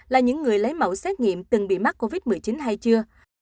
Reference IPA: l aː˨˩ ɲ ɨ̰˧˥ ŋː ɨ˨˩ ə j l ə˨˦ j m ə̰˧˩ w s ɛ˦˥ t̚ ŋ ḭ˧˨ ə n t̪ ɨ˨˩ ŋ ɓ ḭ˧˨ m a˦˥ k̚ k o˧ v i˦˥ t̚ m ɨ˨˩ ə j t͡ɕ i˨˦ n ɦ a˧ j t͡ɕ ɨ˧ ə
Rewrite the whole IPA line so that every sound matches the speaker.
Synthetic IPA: l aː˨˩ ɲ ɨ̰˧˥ ŋː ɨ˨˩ ə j l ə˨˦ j m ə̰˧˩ w s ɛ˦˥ t̚ ŋ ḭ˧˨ ə m t̪ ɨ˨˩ ŋ ɓ ḭ˧˨ m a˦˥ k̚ k o˧ v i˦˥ t̚ m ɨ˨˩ ə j t͡ɕ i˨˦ n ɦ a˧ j t͡ɕ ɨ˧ ə